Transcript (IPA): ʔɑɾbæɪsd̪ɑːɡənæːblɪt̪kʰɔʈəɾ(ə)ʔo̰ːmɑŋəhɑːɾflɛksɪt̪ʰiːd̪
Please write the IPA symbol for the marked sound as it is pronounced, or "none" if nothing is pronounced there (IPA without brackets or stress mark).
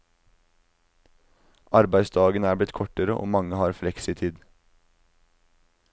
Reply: ə